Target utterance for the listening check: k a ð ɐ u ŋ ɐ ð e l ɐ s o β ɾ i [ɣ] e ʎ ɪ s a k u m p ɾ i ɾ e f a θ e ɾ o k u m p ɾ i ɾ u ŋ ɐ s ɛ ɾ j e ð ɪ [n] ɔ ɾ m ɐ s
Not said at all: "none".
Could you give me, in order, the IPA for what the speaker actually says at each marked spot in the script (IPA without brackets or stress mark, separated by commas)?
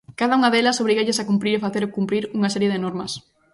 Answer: ɣ, n